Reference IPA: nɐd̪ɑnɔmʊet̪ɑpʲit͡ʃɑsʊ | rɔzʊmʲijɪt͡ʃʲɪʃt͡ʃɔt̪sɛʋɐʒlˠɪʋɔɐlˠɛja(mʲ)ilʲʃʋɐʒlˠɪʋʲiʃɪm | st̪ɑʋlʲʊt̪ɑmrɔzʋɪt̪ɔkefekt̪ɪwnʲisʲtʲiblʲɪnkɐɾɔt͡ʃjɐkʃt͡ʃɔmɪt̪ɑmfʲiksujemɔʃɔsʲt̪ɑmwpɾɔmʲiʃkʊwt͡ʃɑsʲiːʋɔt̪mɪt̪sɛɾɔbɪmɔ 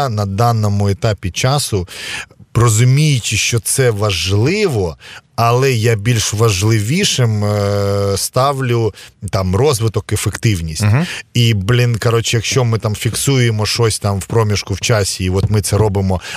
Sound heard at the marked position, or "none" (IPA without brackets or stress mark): bʲ